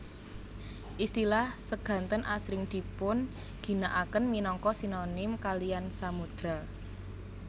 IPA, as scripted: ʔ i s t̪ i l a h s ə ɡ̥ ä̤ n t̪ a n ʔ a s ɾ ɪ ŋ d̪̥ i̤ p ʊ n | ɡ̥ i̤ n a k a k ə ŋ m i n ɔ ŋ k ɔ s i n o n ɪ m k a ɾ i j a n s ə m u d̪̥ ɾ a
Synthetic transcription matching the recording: ʔ i s t̪ i l a h s ə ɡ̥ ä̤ n t̪ ə n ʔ a s ɾ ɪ ŋ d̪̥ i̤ p ʊ n | ɡ̥ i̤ n a ʔ a k ə n m i n ɔ ŋ k ɔ s i n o n ɪ m k a l i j a n s a m u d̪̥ ɾ a